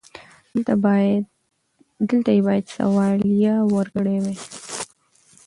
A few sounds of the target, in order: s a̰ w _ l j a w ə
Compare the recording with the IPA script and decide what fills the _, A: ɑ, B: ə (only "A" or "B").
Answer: A